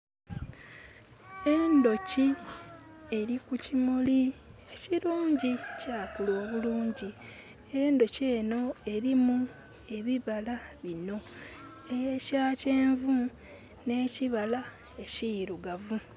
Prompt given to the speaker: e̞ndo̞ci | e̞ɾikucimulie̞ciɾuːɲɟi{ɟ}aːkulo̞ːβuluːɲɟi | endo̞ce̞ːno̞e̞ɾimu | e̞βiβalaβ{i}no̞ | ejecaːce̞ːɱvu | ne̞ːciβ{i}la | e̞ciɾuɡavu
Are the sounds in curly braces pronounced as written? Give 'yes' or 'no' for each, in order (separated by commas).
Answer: no, yes, no